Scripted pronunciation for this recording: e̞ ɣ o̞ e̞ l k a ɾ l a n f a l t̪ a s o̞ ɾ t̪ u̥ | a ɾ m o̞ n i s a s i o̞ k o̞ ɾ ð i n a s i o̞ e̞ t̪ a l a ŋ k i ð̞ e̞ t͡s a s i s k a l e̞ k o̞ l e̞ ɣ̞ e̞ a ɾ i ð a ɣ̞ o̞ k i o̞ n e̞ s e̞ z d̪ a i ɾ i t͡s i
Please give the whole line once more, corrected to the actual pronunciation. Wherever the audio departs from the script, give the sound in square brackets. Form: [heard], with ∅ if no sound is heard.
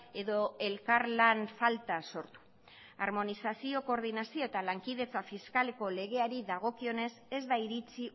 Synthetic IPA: e̞ [ð] o̞ e̞ l k a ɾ l a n f a l t̪ a s o̞ ɾ t̪ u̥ | a ɾ m o̞ n i s a s i o̞ k o̞ ɾ ð i n a s i o̞ e̞ t̪ a l a ŋ k i ð̞ e̞ t͡s a [f] i s k a l e̞ k o̞ l e̞ ɣ̞ e̞ a ɾ i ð a ɣ̞ o̞ k i o̞ n e̞ s e̞ z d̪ a i ɾ i t͡s i